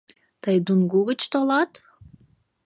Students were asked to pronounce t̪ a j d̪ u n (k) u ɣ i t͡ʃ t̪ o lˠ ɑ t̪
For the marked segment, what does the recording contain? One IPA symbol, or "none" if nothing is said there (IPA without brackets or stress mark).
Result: ɡ